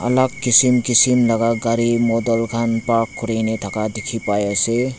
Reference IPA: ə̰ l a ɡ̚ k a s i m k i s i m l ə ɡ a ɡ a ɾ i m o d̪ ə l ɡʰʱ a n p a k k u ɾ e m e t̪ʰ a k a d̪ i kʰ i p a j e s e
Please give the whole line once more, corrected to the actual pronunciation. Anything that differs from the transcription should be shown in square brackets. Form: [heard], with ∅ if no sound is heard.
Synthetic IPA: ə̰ l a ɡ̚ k [i] s i m k i s i m l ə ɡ a ɡ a ɾ i m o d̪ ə l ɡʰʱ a n p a k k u ɾ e [n] e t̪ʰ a k a d̪ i kʰ i p a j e s e

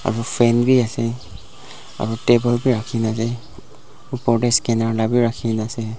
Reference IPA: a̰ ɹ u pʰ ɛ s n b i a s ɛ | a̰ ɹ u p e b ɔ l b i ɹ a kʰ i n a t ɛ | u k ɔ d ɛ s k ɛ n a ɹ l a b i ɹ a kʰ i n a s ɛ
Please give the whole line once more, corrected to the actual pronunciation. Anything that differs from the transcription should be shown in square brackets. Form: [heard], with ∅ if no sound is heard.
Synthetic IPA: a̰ ɹ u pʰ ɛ [∅] n b i a s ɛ | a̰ ɹ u [t] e b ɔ l b i ɹ a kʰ i n a [s] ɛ | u [p] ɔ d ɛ s k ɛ n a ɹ l a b i ɹ a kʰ i n a s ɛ

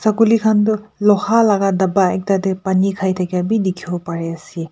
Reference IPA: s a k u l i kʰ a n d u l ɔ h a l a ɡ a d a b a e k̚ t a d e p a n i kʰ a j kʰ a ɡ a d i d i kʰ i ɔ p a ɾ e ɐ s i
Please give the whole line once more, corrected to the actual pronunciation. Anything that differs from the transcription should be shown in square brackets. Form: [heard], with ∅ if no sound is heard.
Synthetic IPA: s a k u l i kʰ a n d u l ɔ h a l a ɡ a d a b a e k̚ t a d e p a n i kʰ a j [tʰ] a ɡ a [b] i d i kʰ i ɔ p a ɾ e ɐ s i

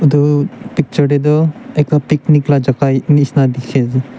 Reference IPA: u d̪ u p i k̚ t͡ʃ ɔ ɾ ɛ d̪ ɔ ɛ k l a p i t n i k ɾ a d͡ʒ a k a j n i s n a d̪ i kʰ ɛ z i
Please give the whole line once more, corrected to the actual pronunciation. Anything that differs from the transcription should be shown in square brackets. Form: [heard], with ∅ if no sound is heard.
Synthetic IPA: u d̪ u p i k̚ t͡ʃ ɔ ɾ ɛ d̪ ɔ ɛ k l a p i [k] n i k [l] a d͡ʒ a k a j n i s n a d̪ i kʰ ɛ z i

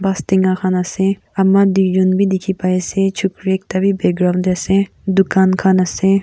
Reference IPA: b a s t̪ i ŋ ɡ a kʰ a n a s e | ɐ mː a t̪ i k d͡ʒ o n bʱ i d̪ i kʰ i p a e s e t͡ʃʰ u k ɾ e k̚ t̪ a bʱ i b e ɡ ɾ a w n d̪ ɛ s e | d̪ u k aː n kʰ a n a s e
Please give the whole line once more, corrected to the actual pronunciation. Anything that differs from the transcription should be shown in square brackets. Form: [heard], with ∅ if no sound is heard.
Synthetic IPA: b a s t̪ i ŋ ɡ a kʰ a n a s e | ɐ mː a [d̪] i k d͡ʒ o n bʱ i d̪ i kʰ i p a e s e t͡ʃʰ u k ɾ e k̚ t̪ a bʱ i b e ɡ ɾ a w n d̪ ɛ s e | d̪ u k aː n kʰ a n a s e

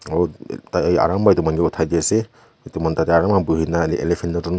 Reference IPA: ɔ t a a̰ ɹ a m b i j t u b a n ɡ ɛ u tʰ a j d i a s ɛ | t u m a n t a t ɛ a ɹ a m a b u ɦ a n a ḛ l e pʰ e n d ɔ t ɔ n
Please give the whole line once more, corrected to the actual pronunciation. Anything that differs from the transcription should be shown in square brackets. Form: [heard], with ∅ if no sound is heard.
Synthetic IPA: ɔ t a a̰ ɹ a m b [a] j t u [m] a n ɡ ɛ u tʰ a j d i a s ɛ | t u m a n t a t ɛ a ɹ a m a b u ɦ [i] n a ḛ l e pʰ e n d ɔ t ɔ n

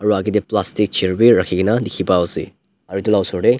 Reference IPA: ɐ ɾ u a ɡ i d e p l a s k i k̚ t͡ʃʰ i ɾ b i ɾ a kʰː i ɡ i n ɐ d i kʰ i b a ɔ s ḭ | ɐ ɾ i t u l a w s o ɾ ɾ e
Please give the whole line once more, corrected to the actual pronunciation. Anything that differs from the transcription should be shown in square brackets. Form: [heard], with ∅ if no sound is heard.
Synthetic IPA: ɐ ɾ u a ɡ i d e p l a s [t] i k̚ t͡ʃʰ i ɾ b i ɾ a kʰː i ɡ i n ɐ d i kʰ i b a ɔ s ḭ | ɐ ɾ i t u l a w s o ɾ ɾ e

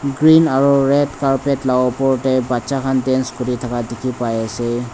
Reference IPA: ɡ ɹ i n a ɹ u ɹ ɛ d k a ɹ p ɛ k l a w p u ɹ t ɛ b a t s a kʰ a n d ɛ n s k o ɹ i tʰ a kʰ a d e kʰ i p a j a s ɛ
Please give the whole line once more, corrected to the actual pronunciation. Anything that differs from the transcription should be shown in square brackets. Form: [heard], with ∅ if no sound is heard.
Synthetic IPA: ɡ ɹ i n a ɹ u ɹ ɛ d k a ɹ p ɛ [t] l a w p [ɔ] ɹ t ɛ b a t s a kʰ a n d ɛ n s k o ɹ i tʰ a [k] a d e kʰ i p a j a s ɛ

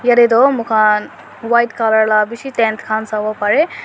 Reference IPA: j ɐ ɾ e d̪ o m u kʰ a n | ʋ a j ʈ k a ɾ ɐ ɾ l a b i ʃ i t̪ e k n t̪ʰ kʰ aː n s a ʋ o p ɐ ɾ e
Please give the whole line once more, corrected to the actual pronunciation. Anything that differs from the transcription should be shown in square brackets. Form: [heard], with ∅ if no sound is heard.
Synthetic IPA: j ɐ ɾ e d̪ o m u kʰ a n | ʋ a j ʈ k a [l] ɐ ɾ l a b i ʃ i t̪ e [∅] n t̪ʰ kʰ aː n s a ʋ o p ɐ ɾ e

